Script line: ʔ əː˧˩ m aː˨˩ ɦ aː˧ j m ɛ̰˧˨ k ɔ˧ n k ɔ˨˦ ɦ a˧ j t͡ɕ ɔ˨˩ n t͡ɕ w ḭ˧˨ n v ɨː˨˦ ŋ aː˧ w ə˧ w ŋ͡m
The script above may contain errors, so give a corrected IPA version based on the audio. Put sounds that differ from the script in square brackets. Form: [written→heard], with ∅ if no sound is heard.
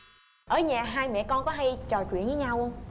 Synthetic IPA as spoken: ʔ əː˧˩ [m→ɲ] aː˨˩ ɦ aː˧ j m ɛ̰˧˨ k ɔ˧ n k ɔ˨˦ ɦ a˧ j t͡ɕ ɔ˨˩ [n→∅] t͡ɕ w ḭ˧˨ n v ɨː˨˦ [ŋ→ɲ] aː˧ w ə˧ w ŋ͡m